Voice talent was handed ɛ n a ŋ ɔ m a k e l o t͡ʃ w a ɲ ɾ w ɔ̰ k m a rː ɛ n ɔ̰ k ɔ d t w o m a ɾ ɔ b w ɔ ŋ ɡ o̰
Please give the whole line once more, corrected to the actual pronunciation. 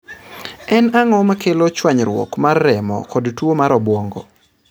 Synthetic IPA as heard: ɛ n a ŋ ɔ m a k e l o t͡ʃ w a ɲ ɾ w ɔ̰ k m a rː ɛ m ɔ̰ k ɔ d t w o m a ɾ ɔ b w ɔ ŋ ɡ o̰